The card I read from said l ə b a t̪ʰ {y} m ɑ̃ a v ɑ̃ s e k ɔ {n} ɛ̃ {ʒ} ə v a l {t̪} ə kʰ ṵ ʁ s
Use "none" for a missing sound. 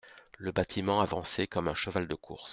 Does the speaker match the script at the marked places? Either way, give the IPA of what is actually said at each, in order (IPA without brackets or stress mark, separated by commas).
i, m, ʃ, d̪